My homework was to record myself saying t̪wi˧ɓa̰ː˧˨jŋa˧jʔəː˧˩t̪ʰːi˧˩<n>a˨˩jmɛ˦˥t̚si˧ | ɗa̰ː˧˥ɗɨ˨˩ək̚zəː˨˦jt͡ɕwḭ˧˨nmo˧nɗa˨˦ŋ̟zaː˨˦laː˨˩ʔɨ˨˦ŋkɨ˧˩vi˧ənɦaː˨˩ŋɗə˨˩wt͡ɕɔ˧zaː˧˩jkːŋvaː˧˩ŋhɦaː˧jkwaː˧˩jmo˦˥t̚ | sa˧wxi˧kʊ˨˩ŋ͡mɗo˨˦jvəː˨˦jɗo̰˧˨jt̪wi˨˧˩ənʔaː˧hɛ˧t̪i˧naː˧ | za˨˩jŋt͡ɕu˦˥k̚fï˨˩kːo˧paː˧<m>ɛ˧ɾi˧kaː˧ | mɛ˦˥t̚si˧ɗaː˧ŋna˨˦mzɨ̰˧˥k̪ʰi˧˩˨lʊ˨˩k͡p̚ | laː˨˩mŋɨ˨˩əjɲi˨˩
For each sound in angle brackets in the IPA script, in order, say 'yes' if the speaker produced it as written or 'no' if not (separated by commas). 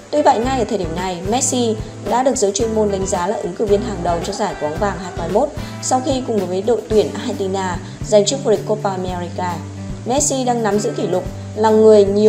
yes, yes